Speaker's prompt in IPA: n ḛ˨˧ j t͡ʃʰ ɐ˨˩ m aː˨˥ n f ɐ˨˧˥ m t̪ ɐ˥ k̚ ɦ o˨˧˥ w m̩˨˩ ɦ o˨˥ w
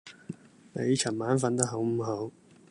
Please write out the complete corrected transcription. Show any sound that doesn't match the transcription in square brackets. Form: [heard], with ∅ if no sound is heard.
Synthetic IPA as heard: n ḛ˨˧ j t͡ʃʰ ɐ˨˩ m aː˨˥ n f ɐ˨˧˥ [n] t̪ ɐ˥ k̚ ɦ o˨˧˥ w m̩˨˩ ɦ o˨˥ w